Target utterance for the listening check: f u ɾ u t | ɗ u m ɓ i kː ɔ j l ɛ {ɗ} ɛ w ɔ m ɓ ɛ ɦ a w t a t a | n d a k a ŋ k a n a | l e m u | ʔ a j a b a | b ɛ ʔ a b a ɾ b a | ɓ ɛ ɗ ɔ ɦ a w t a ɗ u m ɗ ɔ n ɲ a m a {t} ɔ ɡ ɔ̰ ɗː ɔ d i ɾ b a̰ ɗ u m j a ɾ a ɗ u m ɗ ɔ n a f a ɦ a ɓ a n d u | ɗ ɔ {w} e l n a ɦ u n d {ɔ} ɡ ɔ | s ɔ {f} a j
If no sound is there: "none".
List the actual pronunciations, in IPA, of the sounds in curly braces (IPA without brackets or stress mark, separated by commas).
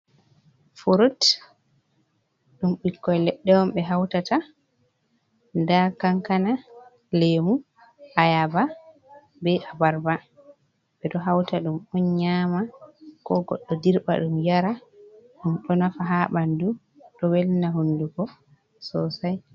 ɗː, k, w, u, s